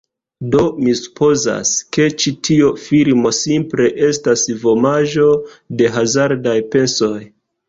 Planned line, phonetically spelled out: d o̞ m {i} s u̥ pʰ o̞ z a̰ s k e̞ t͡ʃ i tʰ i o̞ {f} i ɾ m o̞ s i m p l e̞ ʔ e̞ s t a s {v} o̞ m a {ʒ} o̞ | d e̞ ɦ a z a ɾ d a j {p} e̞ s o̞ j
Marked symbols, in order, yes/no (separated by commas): yes, yes, yes, yes, yes